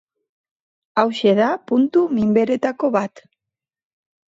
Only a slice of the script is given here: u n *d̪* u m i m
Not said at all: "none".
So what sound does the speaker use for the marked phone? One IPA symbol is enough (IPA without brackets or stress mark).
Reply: t̪